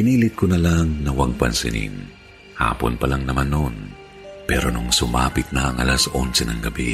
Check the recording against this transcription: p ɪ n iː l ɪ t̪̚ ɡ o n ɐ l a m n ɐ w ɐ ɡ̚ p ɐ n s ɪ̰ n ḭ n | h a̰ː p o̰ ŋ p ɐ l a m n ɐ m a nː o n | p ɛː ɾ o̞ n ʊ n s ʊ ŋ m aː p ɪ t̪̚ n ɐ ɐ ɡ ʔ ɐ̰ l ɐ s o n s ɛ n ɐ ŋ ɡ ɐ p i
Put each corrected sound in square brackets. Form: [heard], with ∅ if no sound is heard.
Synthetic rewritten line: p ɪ n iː l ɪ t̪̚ [k] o n ɐ l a [ŋ] n ɐ w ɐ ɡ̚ p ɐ n s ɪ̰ n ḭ n | h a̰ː p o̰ [n] p ɐ l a [ŋ] n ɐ m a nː o n | p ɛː ɾ o̞ n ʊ [ŋ] s ʊ [∅] m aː p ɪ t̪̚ n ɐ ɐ [ŋ] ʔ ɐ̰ l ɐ s o n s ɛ n ɐ ŋ ɡ ɐ [b] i